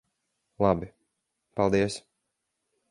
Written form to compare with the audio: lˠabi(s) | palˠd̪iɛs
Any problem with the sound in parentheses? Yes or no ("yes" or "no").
yes